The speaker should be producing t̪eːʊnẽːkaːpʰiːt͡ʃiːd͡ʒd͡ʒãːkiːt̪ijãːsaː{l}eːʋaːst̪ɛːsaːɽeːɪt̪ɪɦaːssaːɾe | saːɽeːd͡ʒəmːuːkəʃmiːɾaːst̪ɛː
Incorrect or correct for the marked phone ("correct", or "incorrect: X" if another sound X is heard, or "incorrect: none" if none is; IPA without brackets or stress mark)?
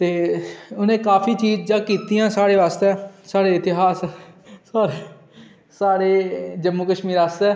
incorrect: ɽ